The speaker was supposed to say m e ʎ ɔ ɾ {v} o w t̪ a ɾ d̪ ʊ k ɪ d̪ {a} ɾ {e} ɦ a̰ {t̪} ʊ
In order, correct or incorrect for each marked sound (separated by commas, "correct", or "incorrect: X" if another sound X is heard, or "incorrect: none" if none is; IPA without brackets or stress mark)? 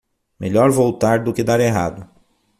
correct, correct, correct, incorrect: d̪